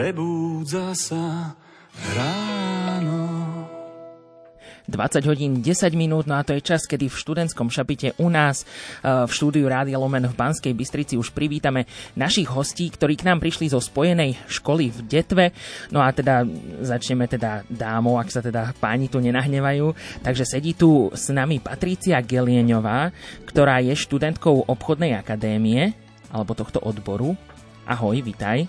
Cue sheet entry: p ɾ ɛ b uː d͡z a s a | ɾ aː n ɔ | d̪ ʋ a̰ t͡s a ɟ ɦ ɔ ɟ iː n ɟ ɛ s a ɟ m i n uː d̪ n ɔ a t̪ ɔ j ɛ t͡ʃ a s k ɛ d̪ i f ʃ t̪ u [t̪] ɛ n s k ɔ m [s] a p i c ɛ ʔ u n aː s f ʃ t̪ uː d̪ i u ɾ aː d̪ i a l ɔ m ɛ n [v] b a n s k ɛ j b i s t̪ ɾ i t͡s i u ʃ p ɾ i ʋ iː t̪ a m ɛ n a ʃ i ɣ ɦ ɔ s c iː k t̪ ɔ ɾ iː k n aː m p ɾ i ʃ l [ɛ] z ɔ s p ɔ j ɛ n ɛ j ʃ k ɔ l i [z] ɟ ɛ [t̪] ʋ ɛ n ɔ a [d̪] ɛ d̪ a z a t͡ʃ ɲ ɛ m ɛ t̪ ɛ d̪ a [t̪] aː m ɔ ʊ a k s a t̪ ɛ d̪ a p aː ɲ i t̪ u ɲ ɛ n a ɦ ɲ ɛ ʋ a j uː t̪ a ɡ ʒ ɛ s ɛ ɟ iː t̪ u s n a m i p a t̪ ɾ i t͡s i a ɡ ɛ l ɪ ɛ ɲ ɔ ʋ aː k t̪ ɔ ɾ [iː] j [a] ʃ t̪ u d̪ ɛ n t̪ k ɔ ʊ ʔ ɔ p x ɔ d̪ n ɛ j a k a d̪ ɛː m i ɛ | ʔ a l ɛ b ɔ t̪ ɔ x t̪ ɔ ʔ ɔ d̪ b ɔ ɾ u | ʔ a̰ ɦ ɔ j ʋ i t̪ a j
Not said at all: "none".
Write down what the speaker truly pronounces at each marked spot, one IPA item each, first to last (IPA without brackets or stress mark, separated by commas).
d̪, ʃ, v, i, v, t̪, t̪, d̪, aː, ɛ